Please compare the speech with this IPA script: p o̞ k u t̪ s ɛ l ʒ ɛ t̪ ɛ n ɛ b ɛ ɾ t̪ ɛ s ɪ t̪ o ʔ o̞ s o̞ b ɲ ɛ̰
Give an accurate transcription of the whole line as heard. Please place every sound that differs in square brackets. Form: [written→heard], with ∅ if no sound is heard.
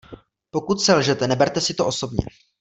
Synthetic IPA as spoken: p o̞ k u t̪ s ɛ l ʒ ɛ t̪ ɛ n ɛ b ɛ ɾ t̪ ɛ s ɪ t̪ o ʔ o̞ s o̞ b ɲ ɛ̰